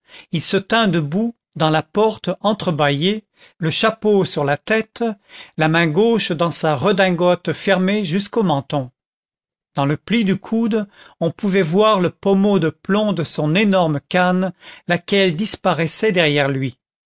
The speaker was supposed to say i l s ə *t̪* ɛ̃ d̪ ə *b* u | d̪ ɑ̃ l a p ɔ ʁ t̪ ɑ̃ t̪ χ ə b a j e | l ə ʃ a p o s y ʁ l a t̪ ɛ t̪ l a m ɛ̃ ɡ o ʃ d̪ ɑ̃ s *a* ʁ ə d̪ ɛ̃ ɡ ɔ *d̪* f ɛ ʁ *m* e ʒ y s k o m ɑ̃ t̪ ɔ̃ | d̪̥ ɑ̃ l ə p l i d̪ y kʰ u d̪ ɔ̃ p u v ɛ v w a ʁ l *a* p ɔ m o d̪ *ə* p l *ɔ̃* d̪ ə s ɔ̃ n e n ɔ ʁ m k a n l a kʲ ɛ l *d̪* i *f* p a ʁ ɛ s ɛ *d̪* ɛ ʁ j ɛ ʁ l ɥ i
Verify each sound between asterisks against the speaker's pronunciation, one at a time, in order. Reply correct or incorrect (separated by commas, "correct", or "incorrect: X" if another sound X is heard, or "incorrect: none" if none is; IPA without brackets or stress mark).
correct, correct, correct, incorrect: t̪, correct, incorrect: ə, correct, correct, correct, incorrect: s, correct